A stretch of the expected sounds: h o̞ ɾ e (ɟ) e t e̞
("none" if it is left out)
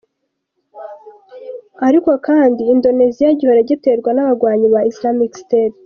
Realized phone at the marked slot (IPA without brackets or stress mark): ɟ